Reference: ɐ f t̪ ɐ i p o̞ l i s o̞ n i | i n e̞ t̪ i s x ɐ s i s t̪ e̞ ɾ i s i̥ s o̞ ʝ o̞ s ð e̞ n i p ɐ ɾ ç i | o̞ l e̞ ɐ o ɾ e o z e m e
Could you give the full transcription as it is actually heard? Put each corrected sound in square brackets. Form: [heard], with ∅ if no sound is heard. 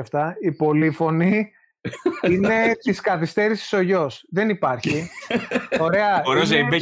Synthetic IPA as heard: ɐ f t̪ ɐ i p o̞ l i [f] o̞ n i | i n e̞ t̪ i s [k] ɐ [θ] i s t̪ e̞ ɾ i s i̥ s o̞ ʝ o̞ s ð e̞ n i p ɐ ɾ ç i | o̞ [ɾ] e̞ ɐ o ɾ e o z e [b] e